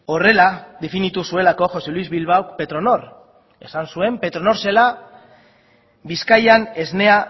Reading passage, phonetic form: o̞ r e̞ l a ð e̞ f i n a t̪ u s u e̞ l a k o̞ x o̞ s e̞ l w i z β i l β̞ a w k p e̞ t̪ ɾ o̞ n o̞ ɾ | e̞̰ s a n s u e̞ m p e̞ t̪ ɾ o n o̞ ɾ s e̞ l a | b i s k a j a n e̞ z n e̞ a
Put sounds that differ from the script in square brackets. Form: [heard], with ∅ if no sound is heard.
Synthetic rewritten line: o̞ r e̞ l a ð e̞ f i n [i] t̪ u s u e̞ l a k o̞ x o̞ s e̞ l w i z β i l β̞ a w k p e̞ t̪ ɾ o̞ n o̞ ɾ | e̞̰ s a n s u e̞ m p e̞ t̪ ɾ o n o̞ ɾ s e̞ l a | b i s k a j a n e̞ z n e̞ a